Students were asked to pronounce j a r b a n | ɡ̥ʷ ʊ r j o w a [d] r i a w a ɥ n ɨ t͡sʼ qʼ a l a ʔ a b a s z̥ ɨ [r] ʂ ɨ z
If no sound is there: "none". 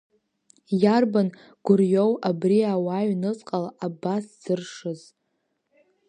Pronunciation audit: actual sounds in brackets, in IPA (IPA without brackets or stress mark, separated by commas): b, r